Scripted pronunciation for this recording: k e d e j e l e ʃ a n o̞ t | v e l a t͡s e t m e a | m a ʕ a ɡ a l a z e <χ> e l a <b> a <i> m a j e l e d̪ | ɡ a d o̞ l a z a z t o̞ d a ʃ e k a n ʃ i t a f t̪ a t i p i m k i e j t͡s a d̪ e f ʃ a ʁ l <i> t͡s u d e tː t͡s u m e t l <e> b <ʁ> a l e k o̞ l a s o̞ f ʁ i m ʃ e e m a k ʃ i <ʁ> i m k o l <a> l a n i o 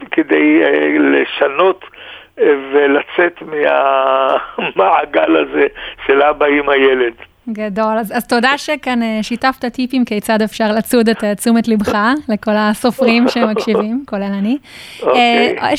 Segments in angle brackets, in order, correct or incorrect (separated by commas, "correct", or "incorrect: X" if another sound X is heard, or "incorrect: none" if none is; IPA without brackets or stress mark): incorrect: ʃ, correct, correct, incorrect: a, incorrect: i, incorrect: χ, incorrect: v, incorrect: e